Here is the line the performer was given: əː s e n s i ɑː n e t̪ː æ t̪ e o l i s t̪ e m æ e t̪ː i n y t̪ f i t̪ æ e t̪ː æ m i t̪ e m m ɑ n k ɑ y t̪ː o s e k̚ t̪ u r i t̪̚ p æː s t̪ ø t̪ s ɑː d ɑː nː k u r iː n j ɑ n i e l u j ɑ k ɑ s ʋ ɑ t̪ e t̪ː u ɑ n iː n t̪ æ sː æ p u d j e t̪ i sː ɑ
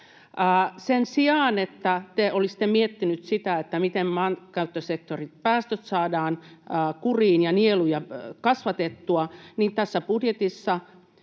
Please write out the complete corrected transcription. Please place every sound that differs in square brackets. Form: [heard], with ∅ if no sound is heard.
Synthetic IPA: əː s e n s i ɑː n e t̪ː æ t̪ e o l i s t̪ e m [i] e t̪ː i n y t̪ [s] i t̪ æ e t̪ː æ m i t̪ e m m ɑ n k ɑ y t̪ː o s e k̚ t̪ [o] r i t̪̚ p æː s t̪ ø t̪ s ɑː d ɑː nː k u r iː n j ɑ n i e l u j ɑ k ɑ s ʋ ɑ t̪ e t̪ː u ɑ n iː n t̪ æ sː æ p u d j e t̪ i sː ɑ

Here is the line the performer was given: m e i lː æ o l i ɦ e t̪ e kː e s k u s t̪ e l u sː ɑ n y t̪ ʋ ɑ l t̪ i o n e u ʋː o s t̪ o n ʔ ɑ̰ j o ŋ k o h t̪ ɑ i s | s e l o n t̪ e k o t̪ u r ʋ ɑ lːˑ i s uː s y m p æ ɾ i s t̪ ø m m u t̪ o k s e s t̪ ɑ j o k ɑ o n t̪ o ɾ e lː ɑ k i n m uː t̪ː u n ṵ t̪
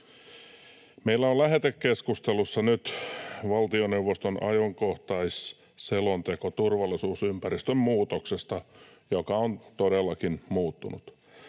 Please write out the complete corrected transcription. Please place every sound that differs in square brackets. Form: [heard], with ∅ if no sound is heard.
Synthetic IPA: m e i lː æ o l [æ] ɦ e t̪ e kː e s k u s t̪ e l u sː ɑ n y t̪ ʋ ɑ l t̪ i o n e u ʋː o s t̪ o n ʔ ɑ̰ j o ŋ k o h t̪ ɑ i s | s e l o n t̪ e k o t̪ u r ʋ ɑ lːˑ i s uː s y m p æ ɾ i s t̪ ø m m [uː] t̪ o k s e s t̪ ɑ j o k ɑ o n t̪ o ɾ e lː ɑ k i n m uː t̪ː u n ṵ t̪

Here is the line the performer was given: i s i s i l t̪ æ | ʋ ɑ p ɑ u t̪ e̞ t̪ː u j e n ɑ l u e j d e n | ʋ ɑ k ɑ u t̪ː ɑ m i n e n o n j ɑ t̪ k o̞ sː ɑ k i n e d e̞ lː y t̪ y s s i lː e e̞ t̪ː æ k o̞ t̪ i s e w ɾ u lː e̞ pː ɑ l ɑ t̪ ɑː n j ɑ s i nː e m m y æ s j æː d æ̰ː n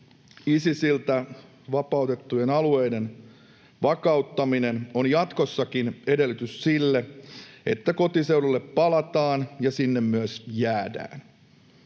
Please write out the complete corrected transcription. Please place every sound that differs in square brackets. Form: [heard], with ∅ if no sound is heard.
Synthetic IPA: i s i s i l t̪ æ | ʋ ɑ p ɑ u t̪ e̞ t̪ː u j e n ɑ l u e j d e n | ʋ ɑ k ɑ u t̪ː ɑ m i n e n o n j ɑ t̪ k o̞ sː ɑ k i n e d e̞ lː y t̪ y s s i lː e e̞ t̪ː æ k o̞ t̪ i s e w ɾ u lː e̞ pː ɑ l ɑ t̪ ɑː n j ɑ s i nː e m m y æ s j æː d æ̰ː n

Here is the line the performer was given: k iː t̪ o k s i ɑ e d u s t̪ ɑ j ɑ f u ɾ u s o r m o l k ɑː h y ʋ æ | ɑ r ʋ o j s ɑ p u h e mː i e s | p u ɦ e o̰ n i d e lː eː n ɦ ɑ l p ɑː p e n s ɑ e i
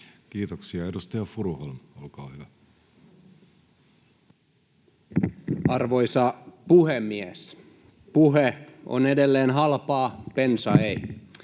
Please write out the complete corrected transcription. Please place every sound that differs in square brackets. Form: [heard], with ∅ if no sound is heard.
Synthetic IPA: k iː t̪ o k s i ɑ e d u s t̪ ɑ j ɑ f u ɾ u [h] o [l] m o l k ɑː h y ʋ æ | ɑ r ʋ o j s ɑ p u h e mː i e s | p u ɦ e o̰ n [e] d e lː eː n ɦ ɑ l p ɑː p e n s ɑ e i

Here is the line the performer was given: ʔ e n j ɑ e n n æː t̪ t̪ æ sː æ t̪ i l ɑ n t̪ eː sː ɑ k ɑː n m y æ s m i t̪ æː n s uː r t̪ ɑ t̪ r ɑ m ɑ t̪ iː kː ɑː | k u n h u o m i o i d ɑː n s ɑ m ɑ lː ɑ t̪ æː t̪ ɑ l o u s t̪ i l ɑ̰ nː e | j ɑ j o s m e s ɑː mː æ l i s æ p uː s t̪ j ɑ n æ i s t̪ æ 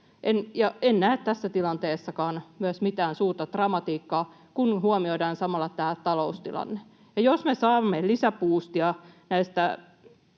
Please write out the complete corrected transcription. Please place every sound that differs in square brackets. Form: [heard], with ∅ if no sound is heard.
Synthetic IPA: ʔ e n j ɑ e n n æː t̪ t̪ æ sː æ t̪ i l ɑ n t̪ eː sː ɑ k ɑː n m y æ s m i t̪ æː n s uː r t̪ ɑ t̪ r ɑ m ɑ t̪ iː kː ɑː | k u n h u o m i o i d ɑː n s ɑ m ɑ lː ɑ t̪ æː t̪ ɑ l o u s t̪ i l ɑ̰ nː e | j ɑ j o s m e s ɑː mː [e] l i s æ p uː s t̪ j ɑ n æ i s t̪ æ

